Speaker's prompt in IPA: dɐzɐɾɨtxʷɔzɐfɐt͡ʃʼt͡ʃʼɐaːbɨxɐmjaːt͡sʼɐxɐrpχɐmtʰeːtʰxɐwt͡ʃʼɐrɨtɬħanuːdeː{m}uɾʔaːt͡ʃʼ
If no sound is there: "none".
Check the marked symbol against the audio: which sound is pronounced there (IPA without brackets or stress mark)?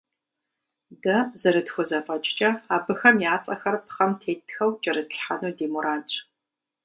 m